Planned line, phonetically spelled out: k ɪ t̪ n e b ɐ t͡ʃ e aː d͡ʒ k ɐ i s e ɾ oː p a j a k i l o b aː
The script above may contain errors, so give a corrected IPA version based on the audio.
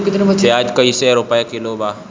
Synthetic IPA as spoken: k ɪ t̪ n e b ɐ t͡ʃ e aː d͡ʒ k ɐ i s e ɾ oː p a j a k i l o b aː